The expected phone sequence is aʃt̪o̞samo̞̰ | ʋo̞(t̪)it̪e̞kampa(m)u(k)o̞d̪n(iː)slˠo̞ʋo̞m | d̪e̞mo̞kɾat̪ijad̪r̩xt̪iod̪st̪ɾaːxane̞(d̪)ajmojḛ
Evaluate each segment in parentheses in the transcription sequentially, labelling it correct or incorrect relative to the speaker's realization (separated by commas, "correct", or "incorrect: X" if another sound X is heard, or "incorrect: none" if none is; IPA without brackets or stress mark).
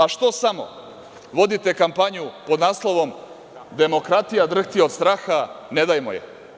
incorrect: d̪, incorrect: ɲ, incorrect: p, incorrect: aː, correct